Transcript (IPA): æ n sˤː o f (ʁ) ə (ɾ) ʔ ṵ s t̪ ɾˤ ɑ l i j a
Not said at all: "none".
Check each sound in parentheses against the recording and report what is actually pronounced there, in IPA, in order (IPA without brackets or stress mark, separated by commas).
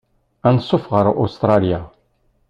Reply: ʁ, ɾ